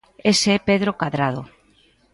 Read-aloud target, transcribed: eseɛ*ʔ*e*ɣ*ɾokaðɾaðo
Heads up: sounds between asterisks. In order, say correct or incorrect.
incorrect, incorrect

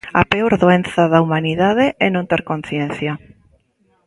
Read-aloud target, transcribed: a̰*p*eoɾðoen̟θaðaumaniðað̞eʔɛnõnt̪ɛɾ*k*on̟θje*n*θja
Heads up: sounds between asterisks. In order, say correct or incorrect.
correct, correct, correct

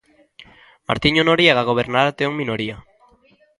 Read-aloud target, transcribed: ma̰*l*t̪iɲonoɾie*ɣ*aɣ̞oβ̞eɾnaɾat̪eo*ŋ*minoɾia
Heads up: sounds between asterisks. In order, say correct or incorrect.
incorrect, correct, correct

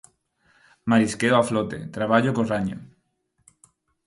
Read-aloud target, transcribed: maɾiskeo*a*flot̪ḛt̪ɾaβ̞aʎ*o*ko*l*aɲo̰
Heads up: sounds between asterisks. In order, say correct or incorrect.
correct, correct, incorrect

